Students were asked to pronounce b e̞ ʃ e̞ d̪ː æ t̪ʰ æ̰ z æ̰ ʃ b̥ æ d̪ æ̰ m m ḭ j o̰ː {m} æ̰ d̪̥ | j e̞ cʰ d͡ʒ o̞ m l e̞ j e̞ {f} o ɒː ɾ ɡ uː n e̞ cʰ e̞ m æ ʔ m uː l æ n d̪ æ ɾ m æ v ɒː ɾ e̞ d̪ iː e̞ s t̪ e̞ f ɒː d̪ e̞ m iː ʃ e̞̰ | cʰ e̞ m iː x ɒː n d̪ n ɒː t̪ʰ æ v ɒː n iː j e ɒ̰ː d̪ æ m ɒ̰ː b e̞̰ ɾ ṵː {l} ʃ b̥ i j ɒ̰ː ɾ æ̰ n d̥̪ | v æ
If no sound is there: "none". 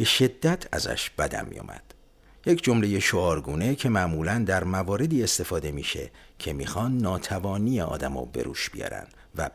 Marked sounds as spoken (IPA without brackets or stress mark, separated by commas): m, ʃ, none